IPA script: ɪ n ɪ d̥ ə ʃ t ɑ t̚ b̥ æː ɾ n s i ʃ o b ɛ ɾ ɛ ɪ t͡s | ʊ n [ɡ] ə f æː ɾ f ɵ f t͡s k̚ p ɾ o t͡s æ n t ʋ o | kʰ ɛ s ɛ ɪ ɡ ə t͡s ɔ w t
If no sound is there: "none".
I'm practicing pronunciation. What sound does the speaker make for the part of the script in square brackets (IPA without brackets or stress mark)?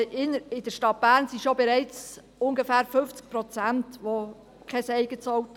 ɡ